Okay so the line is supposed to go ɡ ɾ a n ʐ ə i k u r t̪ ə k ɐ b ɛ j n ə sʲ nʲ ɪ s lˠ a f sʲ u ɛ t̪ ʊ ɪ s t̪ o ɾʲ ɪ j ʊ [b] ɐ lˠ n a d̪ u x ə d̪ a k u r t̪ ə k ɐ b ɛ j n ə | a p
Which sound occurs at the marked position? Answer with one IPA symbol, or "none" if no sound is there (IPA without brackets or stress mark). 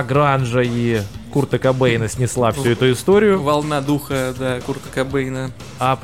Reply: v